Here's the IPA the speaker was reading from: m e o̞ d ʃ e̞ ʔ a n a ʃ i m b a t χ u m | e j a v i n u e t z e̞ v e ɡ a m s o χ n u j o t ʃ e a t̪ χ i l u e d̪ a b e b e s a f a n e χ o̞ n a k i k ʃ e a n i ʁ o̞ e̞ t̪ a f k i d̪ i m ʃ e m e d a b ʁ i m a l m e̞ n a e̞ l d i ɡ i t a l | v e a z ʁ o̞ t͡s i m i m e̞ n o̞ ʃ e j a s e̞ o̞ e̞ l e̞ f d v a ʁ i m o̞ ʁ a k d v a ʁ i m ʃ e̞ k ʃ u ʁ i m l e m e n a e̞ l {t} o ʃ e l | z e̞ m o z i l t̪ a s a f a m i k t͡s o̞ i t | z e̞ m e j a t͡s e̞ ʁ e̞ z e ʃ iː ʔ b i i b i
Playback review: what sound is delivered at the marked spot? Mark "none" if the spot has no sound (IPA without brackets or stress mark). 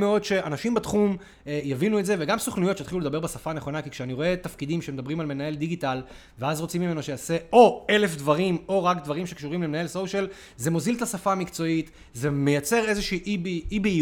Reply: s